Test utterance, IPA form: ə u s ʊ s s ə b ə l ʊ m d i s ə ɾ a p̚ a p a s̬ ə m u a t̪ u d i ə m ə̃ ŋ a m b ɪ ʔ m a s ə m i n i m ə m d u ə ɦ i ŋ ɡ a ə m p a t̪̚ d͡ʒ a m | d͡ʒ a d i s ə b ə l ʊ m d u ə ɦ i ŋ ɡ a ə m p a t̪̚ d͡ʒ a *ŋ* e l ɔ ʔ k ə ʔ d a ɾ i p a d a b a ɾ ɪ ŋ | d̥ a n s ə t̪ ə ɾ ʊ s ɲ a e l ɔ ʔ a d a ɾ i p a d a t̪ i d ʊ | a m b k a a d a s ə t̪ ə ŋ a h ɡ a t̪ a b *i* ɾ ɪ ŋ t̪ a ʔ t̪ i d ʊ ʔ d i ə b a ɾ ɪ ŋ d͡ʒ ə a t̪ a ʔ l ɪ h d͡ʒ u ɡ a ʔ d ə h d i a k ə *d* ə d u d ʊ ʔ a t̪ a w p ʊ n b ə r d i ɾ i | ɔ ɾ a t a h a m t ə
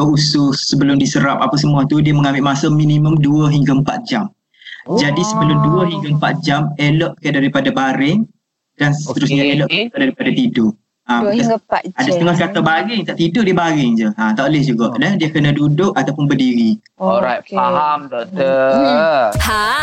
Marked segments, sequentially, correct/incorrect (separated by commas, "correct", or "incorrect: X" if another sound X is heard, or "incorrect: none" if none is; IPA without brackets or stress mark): incorrect: m, incorrect: a, incorrect: n